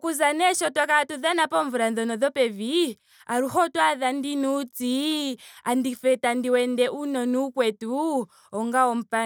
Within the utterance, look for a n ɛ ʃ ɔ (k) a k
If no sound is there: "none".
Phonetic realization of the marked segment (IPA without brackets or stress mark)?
t